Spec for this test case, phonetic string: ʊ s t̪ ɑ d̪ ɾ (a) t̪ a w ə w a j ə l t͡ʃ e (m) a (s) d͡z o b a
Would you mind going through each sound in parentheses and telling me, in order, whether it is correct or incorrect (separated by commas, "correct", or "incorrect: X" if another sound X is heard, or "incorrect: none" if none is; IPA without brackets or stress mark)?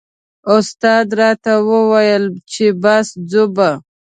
incorrect: ɑ, incorrect: b, correct